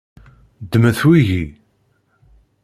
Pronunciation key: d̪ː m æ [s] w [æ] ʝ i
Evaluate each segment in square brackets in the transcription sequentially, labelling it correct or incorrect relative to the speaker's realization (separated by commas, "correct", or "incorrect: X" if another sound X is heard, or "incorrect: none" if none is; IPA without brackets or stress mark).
incorrect: θ, incorrect: i